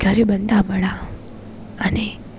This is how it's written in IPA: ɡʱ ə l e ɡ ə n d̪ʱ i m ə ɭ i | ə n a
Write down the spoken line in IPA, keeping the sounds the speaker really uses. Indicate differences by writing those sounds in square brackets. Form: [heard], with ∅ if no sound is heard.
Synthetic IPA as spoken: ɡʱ ə [ɾ] e [b] ə n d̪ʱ [a] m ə ɭ [a] | ə n [e]